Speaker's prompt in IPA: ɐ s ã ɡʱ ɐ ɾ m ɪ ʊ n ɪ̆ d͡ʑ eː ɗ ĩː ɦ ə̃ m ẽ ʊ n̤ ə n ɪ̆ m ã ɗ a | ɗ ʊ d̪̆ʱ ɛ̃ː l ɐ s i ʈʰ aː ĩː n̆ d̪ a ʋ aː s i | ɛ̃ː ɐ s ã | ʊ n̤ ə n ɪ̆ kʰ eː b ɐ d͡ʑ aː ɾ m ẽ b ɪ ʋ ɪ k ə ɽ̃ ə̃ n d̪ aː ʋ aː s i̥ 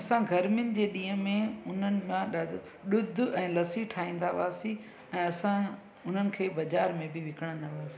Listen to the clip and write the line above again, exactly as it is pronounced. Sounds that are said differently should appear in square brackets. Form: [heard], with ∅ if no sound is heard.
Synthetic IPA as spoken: ɐ s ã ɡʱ ɐ ɾ m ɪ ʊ n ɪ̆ d͡ʑ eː ɗ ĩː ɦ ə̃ m ẽ ʊ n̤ ə n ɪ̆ m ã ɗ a | ɗ ʊ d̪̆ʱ ɛ̃ː l ɐ s i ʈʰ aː ĩː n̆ d̪ a ʋ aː s i | ɛ̃ː ɐ s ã | ʊ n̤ ə n ɪ̆ kʰ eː b ɐ d͡ʑ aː ɾ m ẽ b ɪ ʋ ɪ k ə ɽ̃ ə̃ n d̪ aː ʋ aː s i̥